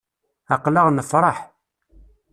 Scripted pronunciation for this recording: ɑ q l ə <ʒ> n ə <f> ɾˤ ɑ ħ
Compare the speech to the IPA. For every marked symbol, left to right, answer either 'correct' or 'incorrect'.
incorrect: ʁ, correct

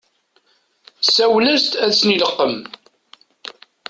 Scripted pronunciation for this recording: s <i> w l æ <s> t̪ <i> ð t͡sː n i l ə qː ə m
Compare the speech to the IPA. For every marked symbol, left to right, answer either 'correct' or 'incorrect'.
incorrect: æ, correct, incorrect: æ

